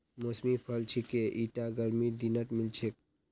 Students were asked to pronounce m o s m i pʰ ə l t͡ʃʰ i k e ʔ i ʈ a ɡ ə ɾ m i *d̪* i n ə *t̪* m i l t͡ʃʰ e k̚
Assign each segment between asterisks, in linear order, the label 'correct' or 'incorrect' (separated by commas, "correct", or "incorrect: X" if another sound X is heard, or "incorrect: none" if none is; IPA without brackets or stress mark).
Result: correct, correct